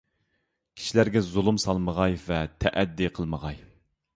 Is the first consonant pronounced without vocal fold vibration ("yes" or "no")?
yes